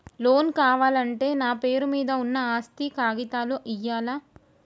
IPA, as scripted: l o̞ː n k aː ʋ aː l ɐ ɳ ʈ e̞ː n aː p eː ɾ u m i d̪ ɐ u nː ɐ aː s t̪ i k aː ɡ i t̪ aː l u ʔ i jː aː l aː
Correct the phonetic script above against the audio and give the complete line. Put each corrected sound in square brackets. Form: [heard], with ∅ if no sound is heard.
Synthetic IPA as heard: l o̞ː n k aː ʋ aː l ɐ ɳ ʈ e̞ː n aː p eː ɾ u m [iː] d̪ ɐ u nː ɐ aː s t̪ i k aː ɡ i t̪ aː l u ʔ i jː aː l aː